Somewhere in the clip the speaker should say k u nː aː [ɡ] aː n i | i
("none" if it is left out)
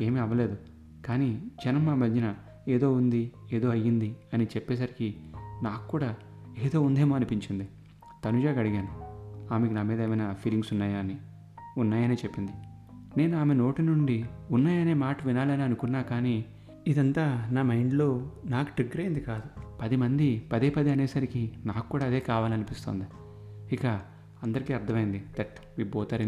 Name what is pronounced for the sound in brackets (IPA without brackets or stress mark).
k